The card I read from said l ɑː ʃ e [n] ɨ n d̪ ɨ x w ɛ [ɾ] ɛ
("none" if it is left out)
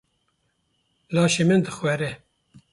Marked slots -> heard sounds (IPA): m, ɾ

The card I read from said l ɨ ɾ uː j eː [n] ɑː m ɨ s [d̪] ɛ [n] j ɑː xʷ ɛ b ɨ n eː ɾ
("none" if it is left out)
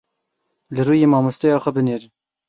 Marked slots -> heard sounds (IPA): m, t̪, none

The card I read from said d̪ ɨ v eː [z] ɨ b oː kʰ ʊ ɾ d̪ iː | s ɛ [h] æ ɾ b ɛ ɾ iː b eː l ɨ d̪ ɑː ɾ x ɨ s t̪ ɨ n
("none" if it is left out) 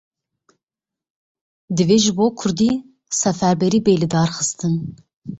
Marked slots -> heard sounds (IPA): ʒ, f

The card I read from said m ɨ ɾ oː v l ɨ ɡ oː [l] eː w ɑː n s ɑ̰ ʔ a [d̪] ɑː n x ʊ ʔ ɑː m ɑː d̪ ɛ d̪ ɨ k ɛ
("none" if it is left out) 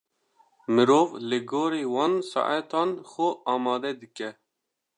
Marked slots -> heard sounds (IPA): ɾ, t̪

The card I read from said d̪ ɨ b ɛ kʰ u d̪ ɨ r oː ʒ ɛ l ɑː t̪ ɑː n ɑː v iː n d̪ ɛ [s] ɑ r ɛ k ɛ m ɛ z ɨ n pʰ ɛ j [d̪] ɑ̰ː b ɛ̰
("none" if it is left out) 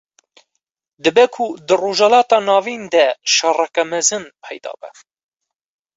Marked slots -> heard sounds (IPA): ʃ, d̪

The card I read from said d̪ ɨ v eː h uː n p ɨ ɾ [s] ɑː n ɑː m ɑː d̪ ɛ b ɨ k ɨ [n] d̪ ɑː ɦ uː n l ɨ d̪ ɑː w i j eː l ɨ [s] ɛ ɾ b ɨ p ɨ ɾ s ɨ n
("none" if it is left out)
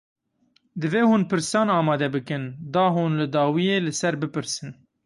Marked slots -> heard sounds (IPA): s, n, s

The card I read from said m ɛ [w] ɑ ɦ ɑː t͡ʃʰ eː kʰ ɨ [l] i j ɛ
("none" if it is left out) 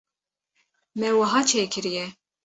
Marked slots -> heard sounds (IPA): w, ɾ

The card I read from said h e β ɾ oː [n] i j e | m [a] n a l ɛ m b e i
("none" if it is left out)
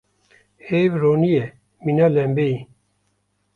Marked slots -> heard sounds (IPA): n, i

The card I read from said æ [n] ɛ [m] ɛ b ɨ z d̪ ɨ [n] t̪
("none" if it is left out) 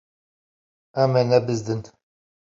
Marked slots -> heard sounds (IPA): m, n, n

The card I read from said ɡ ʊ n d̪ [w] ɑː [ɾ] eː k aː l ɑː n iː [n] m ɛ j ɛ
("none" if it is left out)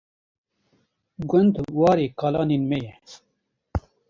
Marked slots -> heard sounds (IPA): w, ɾ, n

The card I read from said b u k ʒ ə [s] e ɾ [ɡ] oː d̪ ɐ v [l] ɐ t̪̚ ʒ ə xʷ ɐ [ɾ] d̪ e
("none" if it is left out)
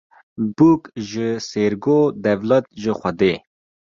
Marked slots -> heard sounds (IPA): s, ɡ, l, none

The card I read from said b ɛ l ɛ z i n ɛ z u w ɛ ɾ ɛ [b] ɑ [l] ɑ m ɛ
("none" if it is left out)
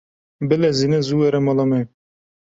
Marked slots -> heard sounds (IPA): m, l

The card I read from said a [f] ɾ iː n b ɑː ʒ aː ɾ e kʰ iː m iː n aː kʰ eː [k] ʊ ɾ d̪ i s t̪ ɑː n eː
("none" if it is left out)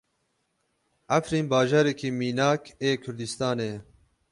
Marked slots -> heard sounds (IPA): f, kʰ

